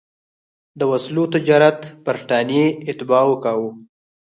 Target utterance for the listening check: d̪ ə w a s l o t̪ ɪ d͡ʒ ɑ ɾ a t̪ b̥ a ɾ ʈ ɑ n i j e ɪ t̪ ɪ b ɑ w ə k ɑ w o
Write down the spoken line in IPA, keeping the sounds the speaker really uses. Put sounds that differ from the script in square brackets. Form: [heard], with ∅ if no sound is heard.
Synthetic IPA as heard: d̪ ə w a s l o t̪ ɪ d͡ʒ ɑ ɾ a t̪ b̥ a ɾ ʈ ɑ n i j e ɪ t̪ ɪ b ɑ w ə k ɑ w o